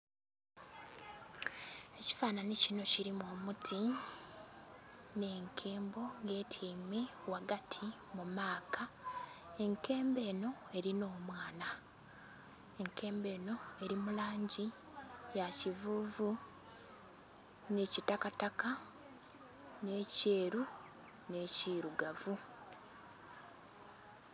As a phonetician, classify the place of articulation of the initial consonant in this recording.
palatal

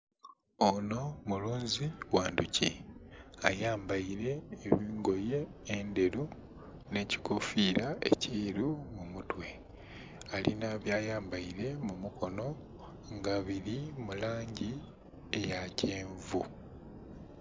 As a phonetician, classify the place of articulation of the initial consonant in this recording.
alveolar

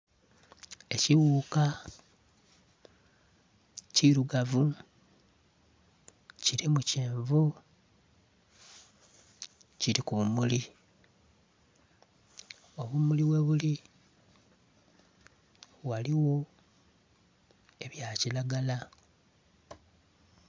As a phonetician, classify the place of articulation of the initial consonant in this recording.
palatal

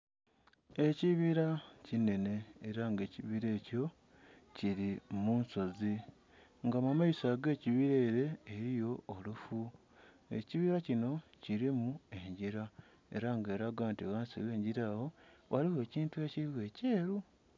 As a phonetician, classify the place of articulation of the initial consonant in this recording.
palatal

